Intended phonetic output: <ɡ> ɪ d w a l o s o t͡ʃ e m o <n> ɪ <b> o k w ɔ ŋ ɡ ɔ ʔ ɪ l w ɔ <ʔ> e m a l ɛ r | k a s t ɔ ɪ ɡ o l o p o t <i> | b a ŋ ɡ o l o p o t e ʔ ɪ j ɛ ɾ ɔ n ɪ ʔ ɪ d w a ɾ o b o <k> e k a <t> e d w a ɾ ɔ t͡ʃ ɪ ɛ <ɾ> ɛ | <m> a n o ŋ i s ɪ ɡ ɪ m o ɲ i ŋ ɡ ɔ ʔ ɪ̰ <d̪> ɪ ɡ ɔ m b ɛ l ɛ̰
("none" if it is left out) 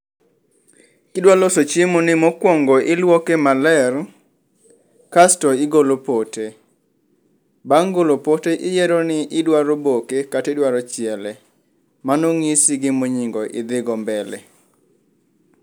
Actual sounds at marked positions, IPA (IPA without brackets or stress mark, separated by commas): k, n, m, k, e, k, t, l, m, d̪